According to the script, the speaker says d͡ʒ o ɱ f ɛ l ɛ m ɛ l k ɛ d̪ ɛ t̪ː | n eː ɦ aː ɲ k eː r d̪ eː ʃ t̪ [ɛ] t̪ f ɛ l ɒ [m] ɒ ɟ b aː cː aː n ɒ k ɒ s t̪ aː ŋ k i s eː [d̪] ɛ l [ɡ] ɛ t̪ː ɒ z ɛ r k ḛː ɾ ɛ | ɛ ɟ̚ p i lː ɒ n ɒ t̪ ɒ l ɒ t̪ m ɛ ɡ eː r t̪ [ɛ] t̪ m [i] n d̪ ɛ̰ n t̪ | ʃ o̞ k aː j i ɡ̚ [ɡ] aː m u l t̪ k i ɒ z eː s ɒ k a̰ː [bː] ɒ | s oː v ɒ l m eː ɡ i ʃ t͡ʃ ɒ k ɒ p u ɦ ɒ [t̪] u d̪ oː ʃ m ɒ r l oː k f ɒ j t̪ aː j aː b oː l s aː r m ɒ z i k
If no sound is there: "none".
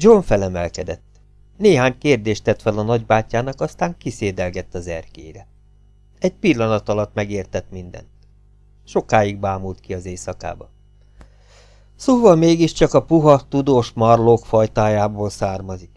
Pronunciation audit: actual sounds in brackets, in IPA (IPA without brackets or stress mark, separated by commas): ɛ, n, d̪, ɡ, ɛ, i, b, b, t̪